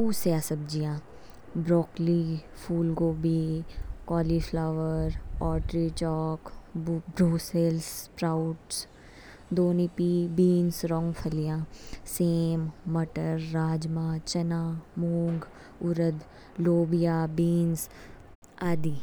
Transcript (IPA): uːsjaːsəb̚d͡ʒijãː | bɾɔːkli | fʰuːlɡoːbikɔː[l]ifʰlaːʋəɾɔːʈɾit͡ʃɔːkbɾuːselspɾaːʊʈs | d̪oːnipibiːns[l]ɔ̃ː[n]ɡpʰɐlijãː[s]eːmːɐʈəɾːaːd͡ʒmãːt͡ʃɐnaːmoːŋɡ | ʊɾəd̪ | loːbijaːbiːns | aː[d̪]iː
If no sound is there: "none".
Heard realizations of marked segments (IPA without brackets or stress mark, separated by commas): l, ɾ, ŋ, s, d̪